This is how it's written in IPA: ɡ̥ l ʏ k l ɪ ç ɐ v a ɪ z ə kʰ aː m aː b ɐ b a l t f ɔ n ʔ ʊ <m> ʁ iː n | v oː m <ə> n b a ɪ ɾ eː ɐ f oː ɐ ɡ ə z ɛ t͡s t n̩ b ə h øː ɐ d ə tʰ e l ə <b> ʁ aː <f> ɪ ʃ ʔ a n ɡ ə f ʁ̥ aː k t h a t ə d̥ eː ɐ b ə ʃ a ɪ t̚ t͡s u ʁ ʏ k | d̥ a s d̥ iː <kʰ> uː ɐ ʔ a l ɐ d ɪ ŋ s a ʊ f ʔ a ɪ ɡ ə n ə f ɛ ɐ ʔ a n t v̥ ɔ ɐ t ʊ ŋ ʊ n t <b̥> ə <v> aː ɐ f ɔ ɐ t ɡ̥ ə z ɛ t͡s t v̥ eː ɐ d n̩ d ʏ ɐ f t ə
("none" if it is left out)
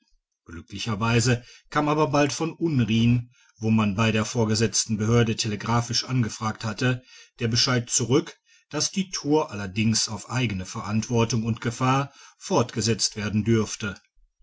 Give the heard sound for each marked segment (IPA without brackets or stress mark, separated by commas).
n, a, ɡ, f, tʰ, ɡ̥, f